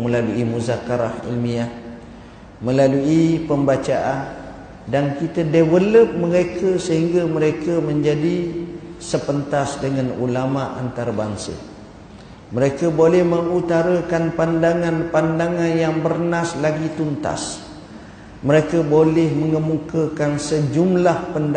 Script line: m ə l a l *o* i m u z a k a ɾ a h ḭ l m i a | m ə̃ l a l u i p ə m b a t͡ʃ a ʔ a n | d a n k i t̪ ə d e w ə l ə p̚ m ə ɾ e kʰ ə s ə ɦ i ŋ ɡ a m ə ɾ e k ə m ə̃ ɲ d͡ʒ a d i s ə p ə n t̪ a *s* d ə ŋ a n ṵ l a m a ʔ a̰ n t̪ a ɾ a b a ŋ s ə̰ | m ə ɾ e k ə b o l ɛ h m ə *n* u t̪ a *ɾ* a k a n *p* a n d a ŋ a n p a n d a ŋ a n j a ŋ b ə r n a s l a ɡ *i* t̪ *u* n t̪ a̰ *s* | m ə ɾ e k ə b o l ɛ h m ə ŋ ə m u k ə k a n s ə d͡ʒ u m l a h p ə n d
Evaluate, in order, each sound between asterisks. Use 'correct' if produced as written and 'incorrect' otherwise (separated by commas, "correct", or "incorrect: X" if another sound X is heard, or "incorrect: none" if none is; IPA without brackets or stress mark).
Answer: incorrect: u, correct, incorrect: ŋ, correct, correct, correct, correct, correct